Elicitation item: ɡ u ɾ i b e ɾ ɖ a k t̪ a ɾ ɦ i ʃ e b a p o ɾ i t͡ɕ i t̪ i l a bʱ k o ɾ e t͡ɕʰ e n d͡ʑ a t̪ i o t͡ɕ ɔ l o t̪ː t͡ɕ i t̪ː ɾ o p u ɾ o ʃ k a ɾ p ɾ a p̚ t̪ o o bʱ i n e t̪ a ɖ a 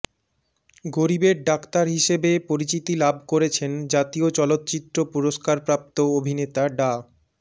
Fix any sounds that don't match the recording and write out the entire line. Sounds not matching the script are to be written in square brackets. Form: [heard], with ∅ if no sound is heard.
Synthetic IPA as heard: ɡ [o] ɾ i b e ɾ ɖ a k t̪ a ɾ ɦ i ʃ e b [e] p o ɾ i t͡ɕ i t̪ i l a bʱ k o ɾ e t͡ɕʰ e n d͡ʑ a t̪ i o t͡ɕ ɔ l o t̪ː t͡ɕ i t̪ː ɾ o p u ɾ o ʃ k a ɾ p ɾ a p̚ t̪ o o bʱ i n e t̪ a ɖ a